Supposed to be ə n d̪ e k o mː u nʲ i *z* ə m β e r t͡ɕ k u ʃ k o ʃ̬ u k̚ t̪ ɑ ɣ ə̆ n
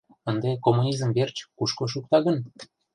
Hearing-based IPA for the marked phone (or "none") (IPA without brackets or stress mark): z